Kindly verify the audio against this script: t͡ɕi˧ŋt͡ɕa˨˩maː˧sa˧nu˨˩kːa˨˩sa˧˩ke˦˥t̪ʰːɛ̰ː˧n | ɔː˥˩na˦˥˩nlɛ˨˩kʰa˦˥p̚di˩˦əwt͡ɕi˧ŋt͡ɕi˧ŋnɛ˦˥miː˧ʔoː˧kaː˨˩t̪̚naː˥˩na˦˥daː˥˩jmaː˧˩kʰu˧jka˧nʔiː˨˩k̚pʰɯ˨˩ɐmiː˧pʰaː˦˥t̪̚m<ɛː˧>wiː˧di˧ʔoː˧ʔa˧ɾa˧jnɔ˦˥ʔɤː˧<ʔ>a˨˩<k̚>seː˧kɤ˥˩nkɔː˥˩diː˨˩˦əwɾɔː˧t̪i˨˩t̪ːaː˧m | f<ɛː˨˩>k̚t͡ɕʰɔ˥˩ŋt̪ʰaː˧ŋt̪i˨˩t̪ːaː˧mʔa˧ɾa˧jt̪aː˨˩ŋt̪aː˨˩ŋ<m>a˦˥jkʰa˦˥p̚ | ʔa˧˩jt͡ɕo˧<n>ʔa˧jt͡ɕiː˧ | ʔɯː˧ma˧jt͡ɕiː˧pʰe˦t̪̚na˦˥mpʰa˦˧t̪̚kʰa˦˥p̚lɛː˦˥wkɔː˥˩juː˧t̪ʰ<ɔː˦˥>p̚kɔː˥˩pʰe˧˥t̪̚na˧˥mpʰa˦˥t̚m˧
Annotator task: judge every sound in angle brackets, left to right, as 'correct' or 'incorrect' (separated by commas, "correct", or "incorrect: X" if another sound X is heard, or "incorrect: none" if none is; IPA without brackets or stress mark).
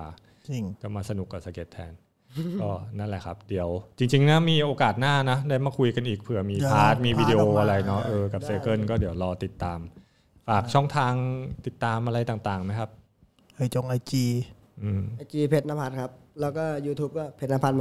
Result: incorrect: iː˧, incorrect: k, incorrect: p̚, incorrect: aː˨˩, correct, incorrect: ŋ, incorrect: uː˦˥